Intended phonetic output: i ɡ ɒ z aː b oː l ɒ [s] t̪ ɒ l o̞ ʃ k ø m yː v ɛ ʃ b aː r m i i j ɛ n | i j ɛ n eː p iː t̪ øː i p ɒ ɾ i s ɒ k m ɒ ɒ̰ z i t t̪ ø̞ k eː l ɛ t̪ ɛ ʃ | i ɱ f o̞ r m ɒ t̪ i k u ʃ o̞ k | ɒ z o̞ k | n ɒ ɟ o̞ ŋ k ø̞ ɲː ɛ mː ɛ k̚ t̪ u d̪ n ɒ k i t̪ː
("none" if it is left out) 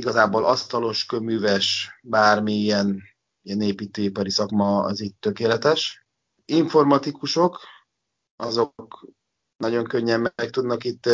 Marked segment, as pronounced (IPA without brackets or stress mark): s